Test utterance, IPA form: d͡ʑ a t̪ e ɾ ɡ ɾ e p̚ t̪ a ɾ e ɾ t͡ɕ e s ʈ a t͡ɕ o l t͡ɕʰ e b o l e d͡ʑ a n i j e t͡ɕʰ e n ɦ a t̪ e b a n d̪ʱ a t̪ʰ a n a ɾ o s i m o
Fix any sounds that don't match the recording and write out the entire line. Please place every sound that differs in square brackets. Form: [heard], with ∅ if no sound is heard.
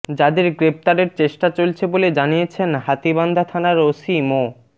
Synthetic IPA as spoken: d͡ʑ a [d̪] e ɾ ɡ ɾ e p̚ t̪ a ɾ e ɾ t͡ɕ e [ʃ] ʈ a t͡ɕ o l t͡ɕʰ e b o l e d͡ʑ a n i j e t͡ɕʰ e n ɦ a t̪ [i] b a n d̪ʱ a t̪ʰ a n a ɾ o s i m o

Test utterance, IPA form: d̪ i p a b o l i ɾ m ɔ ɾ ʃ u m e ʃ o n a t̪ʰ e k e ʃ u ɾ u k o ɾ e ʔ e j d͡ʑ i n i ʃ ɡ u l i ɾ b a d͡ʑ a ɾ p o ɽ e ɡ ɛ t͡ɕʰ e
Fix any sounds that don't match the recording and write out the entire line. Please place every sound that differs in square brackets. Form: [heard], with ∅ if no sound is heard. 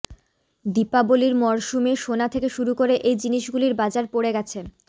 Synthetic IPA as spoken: d̪ i p a b o l i ɾ m ɔ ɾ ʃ u m e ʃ o n a t̪ʰ e k e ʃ u ɾ u k o ɾ e ʔ e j d͡ʑ i n i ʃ ɡ u l i ɾ b a d͡ʑ a ɾ p o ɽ e ɡ ɛ t͡ɕʰ e

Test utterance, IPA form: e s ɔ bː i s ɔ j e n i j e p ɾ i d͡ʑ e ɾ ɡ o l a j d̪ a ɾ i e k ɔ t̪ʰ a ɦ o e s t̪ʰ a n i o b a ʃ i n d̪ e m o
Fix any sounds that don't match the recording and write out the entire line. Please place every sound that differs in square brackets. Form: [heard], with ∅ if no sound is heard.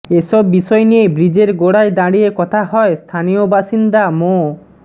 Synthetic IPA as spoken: e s ɔ bː i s ɔ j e n i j e [b] ɾ i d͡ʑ e ɾ ɡ o [ɽ] a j d̪ a [ɽ] i e k ɔ t̪ʰ a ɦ [ɔ] e s t̪ʰ a n i o b a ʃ i n d̪ [a] m o

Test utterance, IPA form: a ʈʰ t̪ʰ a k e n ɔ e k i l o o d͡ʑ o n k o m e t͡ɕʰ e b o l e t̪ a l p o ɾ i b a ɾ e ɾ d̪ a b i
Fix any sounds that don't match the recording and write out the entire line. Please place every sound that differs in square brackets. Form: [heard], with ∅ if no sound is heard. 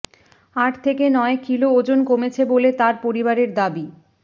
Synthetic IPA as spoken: a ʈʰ t̪ʰ [e] k e n ɔ e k i l o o d͡ʑ o n k o m e t͡ɕʰ e b o l e t̪ a [ɾ] p o ɾ i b a ɾ e ɾ d̪ a b i

